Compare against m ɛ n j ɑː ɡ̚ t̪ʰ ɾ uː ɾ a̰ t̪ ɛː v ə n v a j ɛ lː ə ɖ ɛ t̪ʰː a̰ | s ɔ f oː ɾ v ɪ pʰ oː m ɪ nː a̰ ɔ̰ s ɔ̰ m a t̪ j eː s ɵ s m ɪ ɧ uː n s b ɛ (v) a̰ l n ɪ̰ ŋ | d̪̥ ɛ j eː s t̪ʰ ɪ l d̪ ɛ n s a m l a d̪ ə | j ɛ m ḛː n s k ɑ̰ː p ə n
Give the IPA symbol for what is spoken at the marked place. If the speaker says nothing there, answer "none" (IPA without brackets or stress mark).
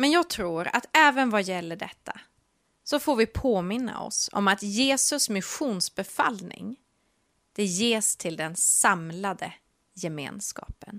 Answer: f